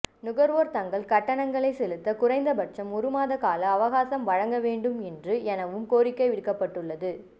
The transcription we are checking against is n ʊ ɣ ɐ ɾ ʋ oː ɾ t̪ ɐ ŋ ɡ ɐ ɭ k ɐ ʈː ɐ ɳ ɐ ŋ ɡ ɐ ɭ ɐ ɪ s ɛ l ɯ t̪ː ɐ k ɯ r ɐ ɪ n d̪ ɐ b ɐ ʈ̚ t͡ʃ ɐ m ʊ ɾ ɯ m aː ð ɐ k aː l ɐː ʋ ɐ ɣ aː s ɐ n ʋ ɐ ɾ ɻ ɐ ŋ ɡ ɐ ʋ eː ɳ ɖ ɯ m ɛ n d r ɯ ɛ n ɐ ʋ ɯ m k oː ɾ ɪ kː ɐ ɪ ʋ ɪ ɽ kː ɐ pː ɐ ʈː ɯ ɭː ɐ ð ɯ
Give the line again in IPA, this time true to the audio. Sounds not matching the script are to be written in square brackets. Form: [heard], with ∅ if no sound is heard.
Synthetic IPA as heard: n ʊ ɣ ɐ ɾ ʋ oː ɾ t̪ ɐ ŋ ɡ ɐ ɭ k ɐ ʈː ɐ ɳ ɐ ŋ ɡ ɐ ɭ ɐ ɪ s ɛ l ɯ t̪ː ɐ k [ʊ] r ɐ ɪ n d̪ ɐ b ɐ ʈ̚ t͡ʃ ɐ m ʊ ɾ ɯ m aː ð ɐ k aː l ɐː ʋ ɐ ɣ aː s ɐ [m] ʋ ɐ [∅] ɻ ɐ ŋ ɡ ɐ ʋ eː ɳ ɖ ɯ m ɛ n d r ɯ ɛ n ɐ ʋ ɯ m k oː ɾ ɪ kː ɐ ɪ ʋ ɪ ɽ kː ɐ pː ɐ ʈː ɯ ɭː ɐ ð ɯ